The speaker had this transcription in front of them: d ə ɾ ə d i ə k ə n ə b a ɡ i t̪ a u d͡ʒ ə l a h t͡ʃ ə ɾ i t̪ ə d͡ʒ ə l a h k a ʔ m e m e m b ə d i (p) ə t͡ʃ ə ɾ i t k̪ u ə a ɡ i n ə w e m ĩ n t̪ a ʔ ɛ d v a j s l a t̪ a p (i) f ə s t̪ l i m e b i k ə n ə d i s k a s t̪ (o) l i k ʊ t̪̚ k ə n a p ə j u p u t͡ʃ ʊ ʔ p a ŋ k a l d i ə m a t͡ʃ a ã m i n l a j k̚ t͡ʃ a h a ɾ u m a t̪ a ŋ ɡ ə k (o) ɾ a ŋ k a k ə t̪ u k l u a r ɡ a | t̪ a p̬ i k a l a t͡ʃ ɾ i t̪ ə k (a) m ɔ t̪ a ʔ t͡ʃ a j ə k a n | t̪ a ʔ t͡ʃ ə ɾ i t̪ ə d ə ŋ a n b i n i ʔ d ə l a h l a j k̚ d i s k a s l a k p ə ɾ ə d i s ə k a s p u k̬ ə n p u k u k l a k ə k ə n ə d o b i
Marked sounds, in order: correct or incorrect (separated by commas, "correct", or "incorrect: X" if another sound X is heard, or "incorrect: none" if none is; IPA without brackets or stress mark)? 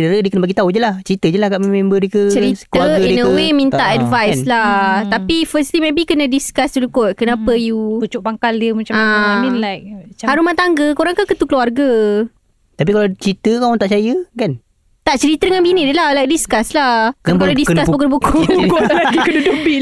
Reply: incorrect: k, correct, incorrect: u, correct, correct